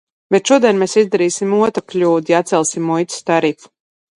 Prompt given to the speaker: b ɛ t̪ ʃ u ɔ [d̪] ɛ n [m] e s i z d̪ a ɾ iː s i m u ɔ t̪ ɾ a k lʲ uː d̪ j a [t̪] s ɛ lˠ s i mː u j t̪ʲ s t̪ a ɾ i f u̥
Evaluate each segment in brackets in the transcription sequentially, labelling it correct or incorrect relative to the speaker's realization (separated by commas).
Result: correct, correct, correct